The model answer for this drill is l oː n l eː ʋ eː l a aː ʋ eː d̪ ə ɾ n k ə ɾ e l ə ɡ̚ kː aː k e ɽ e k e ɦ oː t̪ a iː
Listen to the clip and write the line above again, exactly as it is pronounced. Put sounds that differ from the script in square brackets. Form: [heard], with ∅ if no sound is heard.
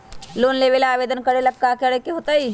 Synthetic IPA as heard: l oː n l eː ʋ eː l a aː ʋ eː d̪ ə [∅] n k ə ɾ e l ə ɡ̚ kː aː k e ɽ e k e ɦ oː t̪ a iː